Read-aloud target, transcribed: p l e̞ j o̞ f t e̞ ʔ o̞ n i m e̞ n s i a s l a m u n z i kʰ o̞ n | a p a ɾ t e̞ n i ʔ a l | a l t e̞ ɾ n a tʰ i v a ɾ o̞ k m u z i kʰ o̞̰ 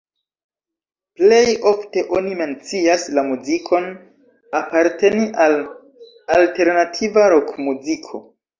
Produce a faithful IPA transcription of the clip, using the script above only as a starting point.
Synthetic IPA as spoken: p l e̞ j o̞ f t e̞ ʔ o̞ n i m e̞ n t͡s i a s l a m u z i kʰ o̞ n | a p a ɾ t e̞ n i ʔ a l | a l t e̞ ɾ n a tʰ i v a ɾ o̞ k m u z i kʰ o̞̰